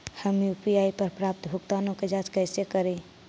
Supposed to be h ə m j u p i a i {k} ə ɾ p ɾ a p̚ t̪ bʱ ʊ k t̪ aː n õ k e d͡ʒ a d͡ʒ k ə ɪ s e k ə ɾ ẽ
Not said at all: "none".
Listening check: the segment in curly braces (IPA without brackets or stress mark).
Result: p